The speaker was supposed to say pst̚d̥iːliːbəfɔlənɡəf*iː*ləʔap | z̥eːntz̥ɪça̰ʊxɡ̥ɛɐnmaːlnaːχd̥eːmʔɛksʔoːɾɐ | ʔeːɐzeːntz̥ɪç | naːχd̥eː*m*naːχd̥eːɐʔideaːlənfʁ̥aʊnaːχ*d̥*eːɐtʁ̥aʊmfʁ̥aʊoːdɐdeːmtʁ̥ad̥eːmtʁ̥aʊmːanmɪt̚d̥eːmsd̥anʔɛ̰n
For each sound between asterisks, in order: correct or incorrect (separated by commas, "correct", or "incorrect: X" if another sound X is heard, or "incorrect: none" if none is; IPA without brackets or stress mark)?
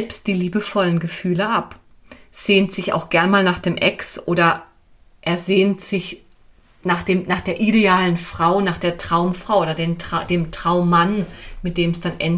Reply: incorrect: yː, correct, correct